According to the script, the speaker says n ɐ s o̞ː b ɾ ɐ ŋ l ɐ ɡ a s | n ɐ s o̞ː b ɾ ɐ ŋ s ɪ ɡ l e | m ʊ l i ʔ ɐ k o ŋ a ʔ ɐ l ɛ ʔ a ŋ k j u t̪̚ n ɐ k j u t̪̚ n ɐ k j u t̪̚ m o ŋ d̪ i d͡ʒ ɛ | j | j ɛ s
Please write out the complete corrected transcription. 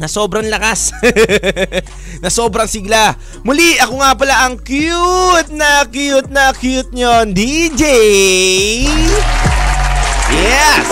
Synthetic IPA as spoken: n ɐ s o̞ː b ɾ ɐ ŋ l ɐ k a s | n ɐ s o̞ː b ɾ ɐ ŋ s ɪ ɡ l a | m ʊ l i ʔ ɐ k o ŋ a p ɐ l a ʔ ɐ ŋ k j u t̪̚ n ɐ k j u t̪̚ n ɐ k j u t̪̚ ɲ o n d̪ i d͡ʒ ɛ | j | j ɛ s